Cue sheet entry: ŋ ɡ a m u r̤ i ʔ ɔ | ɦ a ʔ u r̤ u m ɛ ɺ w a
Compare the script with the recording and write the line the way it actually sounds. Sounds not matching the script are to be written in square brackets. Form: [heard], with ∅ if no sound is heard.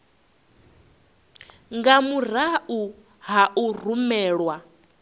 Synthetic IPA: ŋ ɡ a m u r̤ [a] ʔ [u] | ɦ a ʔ u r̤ u m [ɛː] ɺ w a